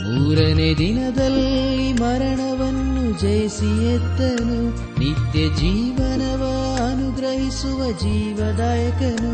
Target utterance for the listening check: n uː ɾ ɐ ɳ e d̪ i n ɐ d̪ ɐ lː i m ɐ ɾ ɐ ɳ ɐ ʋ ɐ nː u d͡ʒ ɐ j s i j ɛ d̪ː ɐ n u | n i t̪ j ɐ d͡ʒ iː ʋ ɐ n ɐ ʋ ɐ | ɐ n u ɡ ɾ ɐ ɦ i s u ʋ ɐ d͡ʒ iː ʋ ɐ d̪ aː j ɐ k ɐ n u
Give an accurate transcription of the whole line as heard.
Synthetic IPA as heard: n uː ɾ ɐ n e d̪ i n ɐ d̪ ɐ lː i m ɐ ɾ ɐ ɳ ɐ ʋ ɐ nː u d͡ʒ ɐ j s i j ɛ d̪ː ɐ n u | n i t̪ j ɐ d͡ʒ iː ʋ ɐ n ɐ ʋ ɐ | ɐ n u ɡ ɾ ɐ ɦ i s u ʋ ɐ d͡ʒ iː ʋ ɐ d̪ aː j ɐ k ɐ n u